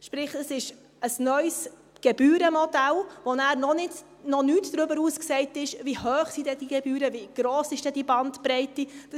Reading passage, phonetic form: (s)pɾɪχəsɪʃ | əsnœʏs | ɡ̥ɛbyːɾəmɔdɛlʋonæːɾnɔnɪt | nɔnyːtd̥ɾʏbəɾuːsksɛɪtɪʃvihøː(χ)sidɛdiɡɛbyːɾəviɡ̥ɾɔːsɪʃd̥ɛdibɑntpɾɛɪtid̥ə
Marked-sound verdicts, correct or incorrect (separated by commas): incorrect, correct